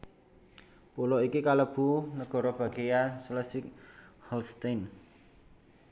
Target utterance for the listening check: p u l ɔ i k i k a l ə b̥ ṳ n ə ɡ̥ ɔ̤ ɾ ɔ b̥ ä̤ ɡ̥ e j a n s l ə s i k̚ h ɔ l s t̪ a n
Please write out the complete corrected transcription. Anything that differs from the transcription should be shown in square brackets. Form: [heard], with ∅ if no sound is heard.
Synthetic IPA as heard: p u l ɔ i k i k a l ə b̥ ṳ n ə ɡ̥ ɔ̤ ɾ ɔ b̥ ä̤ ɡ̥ e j a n s l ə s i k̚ h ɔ l s t̪ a n

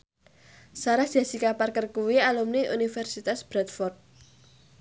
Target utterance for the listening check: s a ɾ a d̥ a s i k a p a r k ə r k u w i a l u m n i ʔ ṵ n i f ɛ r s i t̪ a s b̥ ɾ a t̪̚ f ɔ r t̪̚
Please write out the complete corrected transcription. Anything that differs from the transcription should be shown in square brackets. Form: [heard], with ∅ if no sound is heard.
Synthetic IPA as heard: s a ɾ a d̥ a s i k a p a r k ə r k u w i a l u m n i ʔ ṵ n i f ɛ r s i t̪ a s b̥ ɾ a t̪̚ f ɔ r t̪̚

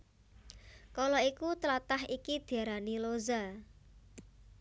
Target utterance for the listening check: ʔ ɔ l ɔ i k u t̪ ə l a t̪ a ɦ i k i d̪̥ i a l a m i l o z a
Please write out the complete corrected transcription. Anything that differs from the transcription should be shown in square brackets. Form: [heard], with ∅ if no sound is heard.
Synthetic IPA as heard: [k] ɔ l ɔ i k u t̪ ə l a t̪ a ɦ i k i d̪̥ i a [ɾ] a [n] i l o z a

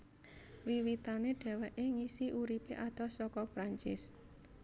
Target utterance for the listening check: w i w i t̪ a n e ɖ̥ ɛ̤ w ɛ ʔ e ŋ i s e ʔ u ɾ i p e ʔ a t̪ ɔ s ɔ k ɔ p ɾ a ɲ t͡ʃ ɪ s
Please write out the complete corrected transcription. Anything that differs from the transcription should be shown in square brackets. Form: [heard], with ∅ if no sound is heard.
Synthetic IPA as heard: w i w i t̪ a n e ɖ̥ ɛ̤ w ɛ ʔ e ŋ i s [i] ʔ u ɾ i p e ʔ a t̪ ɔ s ɔ k ɔ p ɾ a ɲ t͡ʃ ɪ s

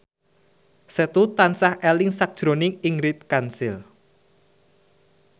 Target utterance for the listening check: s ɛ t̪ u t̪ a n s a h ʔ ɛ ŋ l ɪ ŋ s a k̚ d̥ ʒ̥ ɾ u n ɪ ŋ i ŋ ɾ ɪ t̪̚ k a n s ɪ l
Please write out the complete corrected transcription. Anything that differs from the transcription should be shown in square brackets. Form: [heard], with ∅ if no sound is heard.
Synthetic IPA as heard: s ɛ t̪ u t̪ a n s a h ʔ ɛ [∅] l ɪ ŋ s a k̚ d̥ ʒ̥ ɾ [o] n ɪ ŋ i ŋ ɾ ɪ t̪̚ k a n s ɪ l

